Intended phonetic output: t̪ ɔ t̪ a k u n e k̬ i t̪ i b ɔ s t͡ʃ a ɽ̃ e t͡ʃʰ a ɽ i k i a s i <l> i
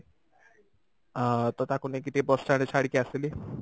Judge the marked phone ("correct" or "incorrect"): correct